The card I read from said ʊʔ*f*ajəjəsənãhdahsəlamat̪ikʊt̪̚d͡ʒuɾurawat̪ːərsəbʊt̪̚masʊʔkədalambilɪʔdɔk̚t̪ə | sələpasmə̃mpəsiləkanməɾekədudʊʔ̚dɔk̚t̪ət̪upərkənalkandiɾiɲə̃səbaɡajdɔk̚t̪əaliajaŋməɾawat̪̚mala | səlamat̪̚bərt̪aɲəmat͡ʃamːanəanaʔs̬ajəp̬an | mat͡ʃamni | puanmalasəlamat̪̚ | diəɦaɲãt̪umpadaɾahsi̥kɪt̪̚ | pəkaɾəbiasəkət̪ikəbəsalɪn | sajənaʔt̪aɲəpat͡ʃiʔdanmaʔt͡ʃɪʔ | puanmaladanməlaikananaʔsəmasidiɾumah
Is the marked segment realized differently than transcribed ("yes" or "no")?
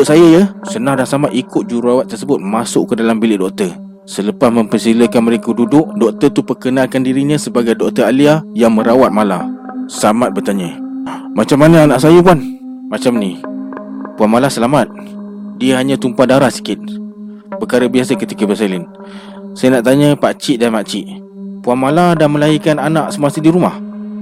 yes